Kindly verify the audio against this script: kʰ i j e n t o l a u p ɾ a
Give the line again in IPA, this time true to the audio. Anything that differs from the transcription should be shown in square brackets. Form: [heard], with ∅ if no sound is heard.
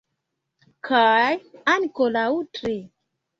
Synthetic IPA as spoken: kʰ [a] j [a] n [k] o l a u [t] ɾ [i]